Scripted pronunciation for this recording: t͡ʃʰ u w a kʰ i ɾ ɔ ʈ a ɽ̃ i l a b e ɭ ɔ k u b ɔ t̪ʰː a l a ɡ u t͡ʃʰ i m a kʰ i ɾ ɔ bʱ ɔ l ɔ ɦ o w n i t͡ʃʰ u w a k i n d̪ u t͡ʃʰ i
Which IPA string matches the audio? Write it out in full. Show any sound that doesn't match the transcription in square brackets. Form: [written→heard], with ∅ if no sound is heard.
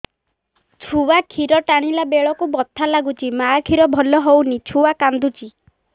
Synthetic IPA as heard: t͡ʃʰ u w a kʰ i ɾ ɔ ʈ a ɽ̃ i l a b e ɭ ɔ k u b ɔ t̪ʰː a l a ɡ u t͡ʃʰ i m a kʰ i ɾ ɔ bʱ ɔ l ɔ ɦ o w n i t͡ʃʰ u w a k [i→a] n d̪ u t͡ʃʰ i